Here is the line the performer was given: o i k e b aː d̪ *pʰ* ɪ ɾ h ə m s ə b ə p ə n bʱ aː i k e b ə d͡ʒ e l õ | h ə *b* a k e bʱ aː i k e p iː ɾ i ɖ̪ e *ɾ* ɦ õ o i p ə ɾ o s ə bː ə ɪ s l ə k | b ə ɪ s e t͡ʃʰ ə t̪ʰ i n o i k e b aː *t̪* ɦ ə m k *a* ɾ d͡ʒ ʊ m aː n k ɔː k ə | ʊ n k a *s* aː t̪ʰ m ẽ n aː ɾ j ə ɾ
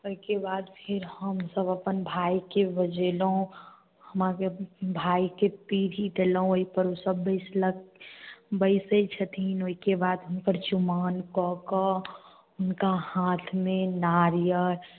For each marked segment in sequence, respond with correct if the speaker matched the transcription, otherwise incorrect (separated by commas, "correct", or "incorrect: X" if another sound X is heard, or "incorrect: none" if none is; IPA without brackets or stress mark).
correct, incorrect: m, incorrect: l, incorrect: d̪, incorrect: ə, incorrect: h